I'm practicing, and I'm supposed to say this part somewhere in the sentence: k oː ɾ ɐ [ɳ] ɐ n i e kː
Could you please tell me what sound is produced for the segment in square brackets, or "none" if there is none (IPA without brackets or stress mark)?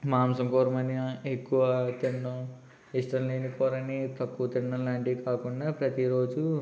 m